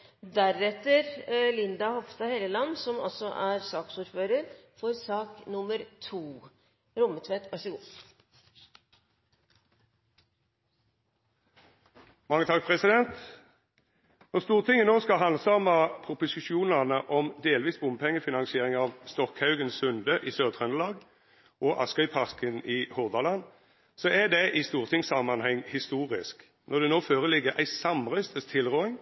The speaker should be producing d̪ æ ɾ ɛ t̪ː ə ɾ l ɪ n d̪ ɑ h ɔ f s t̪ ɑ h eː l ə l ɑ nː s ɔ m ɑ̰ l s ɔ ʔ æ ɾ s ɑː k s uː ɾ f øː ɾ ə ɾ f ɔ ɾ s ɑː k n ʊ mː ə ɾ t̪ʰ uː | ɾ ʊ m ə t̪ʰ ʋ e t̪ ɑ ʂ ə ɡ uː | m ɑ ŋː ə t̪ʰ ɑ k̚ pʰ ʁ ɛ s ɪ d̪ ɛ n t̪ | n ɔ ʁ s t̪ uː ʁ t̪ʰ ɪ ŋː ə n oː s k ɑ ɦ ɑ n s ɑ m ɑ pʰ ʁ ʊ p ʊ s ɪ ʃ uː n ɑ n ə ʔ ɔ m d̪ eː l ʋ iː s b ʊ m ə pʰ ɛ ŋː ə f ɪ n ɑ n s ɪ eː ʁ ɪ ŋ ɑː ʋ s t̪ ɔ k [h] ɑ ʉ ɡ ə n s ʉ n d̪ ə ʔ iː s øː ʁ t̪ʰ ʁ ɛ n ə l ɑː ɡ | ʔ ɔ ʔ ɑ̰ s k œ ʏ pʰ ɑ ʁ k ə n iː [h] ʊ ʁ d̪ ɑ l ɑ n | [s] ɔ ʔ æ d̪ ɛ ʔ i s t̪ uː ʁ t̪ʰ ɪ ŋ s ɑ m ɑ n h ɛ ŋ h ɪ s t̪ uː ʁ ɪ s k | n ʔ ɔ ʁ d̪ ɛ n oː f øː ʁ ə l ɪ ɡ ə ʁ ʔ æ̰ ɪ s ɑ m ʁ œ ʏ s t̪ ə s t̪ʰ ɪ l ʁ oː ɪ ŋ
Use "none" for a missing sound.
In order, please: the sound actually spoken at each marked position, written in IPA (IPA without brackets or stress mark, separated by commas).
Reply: h, h, s